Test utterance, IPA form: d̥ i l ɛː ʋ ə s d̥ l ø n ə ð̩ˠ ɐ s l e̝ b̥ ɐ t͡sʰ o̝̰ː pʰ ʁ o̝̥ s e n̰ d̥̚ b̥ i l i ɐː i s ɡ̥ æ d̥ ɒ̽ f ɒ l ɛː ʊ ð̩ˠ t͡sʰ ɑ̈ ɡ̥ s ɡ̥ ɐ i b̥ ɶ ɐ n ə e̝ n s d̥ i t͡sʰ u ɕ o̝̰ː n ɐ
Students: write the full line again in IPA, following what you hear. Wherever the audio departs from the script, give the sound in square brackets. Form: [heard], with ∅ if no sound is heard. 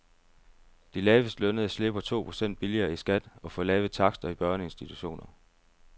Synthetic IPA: d̥ i l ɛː ʋ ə s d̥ l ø n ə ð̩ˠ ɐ s l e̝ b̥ ɐ t͡sʰ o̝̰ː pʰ ʁ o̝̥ s e n̰ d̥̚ b̥ i l i ɐː i s ɡ̥ æ d̥ ɒ̽ f ɒ l ɛː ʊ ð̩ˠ t͡sʰ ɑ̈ ɡ̥ s [d̥] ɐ i b̥ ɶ ɐ n ə e̝ n s d̥ i t͡sʰ u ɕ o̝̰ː n ɐ